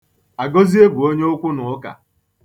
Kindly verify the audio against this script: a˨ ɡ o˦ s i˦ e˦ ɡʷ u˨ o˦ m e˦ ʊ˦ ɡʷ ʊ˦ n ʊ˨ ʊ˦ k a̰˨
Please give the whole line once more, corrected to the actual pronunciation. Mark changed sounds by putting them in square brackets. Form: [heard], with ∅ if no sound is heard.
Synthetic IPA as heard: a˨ ɡ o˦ [z] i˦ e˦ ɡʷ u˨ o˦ [ɲ] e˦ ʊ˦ [kʷ] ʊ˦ n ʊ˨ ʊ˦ k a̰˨